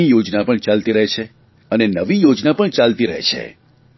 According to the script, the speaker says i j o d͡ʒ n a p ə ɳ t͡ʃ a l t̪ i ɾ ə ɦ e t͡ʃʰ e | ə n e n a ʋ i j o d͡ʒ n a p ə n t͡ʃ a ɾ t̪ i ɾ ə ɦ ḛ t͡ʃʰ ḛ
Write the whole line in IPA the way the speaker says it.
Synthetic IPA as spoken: i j o d͡ʒ n a p ə ɳ t͡ʃ a l t̪ i ɾ ə ɦ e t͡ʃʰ e | ə n e n ə ʋ i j o d͡ʒ n a p ə ɳ t͡ʃ a l t̪ i ɾ ə ɦ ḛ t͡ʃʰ ḛ